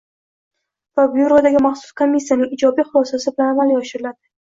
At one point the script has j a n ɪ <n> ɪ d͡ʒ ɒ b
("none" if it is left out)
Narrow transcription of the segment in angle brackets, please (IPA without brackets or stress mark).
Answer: ŋ